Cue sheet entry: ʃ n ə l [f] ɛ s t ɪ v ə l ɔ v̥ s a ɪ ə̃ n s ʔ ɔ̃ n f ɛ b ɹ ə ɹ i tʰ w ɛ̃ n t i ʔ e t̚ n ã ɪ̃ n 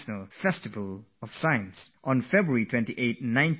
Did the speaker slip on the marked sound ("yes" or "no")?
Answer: no